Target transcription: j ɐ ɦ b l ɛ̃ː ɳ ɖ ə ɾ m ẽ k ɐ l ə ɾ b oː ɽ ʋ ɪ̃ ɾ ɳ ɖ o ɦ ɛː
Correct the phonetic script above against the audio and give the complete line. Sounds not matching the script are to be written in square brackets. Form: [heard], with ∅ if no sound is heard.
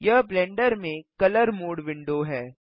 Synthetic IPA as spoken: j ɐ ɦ b l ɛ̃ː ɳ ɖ ə ɾ m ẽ k ɐ l ə ɾ [m] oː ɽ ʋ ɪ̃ [∅] ɳ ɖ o ɦ ɛː

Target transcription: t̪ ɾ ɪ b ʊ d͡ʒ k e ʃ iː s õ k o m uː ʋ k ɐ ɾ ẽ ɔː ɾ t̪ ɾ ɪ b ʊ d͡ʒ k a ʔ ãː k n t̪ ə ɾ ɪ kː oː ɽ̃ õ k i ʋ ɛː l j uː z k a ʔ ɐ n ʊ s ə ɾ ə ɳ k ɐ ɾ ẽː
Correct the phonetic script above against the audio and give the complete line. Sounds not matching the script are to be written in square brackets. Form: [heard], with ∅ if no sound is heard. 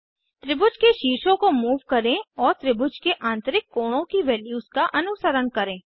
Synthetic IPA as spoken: t̪ ɾ ɪ b ʊ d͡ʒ k e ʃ iː [ʃ] õ k o m uː ʋ k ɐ ɾ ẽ ɔː ɾ t̪ ɾ ɪ b ʊ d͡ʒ k [e] ʔ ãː [∅] n t̪ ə ɾ ɪ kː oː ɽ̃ õ k i ʋ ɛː l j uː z k a ʔ ɐ n ʊ s ə ɾ ə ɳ k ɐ ɾ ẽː

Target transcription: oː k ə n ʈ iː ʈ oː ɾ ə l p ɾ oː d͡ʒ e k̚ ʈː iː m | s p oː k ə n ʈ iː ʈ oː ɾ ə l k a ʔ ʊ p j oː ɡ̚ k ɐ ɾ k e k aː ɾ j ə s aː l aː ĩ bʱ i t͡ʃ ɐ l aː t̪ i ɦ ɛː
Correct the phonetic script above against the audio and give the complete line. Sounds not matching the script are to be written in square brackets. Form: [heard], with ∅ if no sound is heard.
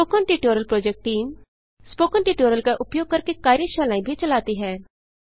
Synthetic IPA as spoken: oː k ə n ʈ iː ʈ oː ɾ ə l p ɾ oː d͡ʒ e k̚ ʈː iː m | s p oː k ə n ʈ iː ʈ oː ɾ ə l k a ʔ ʊ p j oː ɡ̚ k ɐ ɾ k e k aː ɾ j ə [ʃ] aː l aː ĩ bʱ i t͡ʃ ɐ l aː t̪ i ɦ ɛː

